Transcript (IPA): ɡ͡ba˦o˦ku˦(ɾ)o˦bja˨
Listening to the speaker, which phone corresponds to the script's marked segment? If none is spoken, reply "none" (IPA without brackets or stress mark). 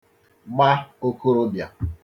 ɾ